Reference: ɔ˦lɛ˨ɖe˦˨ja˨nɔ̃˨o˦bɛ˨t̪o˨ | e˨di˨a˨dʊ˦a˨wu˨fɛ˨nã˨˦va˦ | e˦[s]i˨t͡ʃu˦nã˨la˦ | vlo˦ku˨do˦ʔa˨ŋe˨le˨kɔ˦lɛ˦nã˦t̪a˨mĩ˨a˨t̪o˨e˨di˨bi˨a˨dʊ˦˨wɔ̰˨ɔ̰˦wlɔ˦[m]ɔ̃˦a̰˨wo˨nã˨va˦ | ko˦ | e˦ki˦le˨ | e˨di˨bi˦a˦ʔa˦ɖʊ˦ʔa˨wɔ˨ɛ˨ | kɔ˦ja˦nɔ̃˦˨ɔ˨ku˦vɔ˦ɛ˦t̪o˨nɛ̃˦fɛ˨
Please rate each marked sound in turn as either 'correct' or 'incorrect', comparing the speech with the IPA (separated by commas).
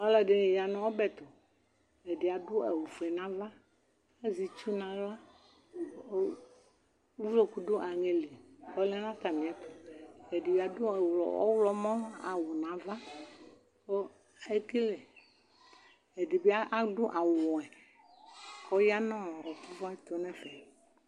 incorrect, correct